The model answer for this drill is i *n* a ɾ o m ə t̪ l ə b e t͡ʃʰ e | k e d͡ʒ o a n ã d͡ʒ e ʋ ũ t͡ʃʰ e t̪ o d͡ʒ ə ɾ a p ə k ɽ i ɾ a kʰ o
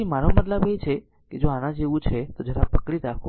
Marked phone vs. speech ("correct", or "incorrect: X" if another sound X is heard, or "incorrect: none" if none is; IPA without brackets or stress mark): incorrect: m